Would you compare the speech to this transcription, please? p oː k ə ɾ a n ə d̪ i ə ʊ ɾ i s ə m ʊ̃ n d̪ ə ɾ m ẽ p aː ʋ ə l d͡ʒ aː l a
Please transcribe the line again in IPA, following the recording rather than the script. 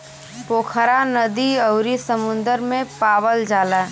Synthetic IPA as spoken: p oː kʰ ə ɾ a n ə d̪ i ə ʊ ɾ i s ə m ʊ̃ n d̪ ə ɾ m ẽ p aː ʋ ə l d͡ʒ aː l a